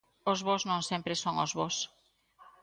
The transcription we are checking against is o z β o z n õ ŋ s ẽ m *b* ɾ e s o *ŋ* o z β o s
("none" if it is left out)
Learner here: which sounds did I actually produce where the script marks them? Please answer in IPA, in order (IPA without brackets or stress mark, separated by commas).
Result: p, ŋ